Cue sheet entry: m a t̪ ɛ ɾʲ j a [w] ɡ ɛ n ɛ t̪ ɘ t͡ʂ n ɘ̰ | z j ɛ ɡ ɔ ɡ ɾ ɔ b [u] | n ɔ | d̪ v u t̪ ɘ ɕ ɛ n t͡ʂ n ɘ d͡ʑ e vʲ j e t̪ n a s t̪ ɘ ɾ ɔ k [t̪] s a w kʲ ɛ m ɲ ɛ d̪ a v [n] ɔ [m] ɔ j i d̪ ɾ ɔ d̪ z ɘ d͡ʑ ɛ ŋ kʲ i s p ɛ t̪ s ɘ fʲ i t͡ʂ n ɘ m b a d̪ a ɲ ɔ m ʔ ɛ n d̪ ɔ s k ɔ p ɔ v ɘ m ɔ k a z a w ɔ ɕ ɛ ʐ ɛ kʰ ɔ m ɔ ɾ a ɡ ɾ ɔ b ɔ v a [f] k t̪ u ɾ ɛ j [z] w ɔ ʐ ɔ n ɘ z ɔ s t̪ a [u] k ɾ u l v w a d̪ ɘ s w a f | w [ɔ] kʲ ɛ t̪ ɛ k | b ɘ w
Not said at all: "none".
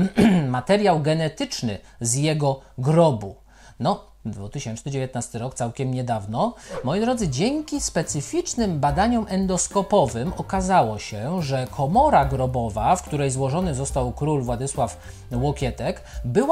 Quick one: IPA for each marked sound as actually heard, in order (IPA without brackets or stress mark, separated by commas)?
w, u, t̪, n, m, f, z, w, ɔ